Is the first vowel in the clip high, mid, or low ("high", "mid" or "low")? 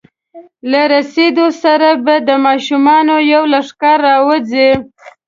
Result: low